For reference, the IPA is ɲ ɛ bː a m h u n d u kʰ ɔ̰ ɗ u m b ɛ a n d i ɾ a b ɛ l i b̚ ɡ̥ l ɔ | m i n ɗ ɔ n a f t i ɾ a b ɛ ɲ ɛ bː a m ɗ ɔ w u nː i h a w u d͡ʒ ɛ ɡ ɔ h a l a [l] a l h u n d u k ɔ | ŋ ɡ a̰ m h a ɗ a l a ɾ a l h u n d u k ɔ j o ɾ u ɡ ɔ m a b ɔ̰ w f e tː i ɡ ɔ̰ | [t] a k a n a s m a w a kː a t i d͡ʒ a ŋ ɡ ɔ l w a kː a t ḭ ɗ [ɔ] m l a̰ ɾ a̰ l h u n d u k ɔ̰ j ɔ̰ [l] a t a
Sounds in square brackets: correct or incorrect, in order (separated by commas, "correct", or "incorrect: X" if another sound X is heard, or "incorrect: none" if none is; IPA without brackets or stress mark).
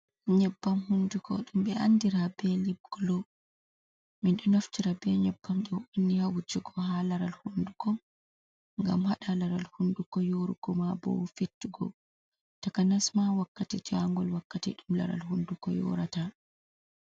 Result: incorrect: ɾ, correct, incorrect: u, incorrect: ɾ